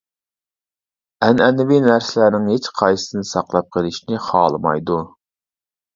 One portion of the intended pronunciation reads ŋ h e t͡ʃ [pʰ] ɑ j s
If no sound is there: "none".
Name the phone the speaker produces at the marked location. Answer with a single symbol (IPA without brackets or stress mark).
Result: qʰ